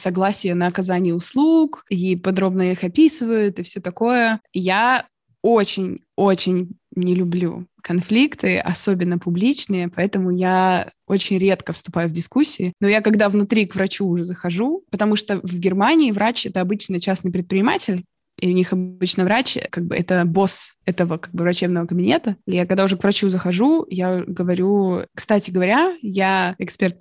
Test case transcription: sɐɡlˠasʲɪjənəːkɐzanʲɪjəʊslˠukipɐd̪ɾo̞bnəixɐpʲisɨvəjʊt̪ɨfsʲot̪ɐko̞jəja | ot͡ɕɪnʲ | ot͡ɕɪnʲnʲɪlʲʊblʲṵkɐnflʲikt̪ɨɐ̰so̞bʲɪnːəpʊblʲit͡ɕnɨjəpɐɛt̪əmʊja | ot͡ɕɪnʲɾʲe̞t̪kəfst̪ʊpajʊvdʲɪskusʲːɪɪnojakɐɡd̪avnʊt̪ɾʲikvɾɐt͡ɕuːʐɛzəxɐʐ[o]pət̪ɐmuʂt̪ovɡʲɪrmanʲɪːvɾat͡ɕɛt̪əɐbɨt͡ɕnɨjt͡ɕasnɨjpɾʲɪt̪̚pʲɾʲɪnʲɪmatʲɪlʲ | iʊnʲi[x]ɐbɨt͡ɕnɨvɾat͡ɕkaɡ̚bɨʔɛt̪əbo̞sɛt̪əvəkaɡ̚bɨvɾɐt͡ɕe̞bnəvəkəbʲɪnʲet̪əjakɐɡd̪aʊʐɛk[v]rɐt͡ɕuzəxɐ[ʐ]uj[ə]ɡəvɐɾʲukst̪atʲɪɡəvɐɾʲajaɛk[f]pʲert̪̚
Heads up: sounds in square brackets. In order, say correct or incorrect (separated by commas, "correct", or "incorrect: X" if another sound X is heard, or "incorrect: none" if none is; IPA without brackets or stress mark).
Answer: incorrect: u, correct, correct, correct, incorrect: a, incorrect: s